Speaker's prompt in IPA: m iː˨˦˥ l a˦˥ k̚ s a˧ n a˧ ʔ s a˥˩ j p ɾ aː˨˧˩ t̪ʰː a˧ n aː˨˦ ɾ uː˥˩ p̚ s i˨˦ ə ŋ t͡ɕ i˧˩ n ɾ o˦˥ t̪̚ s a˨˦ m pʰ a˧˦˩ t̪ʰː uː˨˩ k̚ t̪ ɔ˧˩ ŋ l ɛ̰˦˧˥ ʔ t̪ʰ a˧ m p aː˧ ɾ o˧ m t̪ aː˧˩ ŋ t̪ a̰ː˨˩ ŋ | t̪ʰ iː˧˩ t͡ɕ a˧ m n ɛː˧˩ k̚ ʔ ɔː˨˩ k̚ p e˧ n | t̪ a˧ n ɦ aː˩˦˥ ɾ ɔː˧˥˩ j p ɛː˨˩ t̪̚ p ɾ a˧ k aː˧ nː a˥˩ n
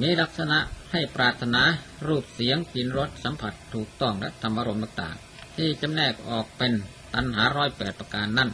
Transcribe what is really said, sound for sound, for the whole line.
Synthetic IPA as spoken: m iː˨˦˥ l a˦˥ k̚ s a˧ n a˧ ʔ h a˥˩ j p ɾ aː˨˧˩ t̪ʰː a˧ n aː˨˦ ɾ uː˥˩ p̚ s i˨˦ ə ŋ t͡ɕ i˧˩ n ɾ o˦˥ t̪̚ s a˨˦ m pʰ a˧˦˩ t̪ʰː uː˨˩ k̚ t̪ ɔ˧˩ ŋ l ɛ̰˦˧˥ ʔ t̪ʰ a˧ m ʔ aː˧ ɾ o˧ m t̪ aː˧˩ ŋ t̪ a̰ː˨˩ ŋ | t̪ʰ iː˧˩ t͡ɕ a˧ m n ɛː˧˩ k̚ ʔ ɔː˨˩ k̚ p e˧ n | t̪ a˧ n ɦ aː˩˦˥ ɾ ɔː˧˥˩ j p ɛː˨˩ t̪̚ p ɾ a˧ k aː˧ nː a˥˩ n